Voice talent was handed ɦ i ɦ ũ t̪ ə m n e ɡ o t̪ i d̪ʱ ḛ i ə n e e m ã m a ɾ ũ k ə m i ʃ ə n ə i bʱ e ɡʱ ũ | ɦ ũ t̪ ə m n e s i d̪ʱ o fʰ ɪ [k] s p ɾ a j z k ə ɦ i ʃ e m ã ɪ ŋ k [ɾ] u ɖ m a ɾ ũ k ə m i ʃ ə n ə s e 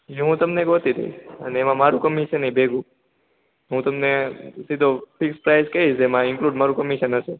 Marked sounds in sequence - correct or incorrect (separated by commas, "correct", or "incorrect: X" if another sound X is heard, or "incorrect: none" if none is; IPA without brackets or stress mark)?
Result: correct, incorrect: l